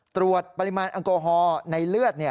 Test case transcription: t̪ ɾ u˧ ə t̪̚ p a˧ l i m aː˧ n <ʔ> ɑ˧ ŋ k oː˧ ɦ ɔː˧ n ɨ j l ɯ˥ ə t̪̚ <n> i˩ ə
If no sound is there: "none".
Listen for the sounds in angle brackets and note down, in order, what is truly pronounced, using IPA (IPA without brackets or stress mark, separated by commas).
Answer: ʔ, n